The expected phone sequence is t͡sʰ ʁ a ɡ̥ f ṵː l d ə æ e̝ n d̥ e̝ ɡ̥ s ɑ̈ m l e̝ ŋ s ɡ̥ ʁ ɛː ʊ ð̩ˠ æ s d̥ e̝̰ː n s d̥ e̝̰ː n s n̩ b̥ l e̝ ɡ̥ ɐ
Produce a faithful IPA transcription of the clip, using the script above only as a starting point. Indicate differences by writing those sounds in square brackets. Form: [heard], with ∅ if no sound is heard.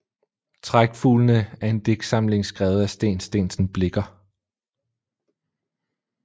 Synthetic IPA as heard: t͡sʰ ʁ a ɡ̥ f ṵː l [n] ə æ e̝ n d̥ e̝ ɡ̥ s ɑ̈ m l e̝ ŋ s ɡ̥ ʁ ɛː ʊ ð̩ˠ æ s d̥ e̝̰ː n s d̥ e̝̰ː n s n̩ b̥ l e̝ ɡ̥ ɐ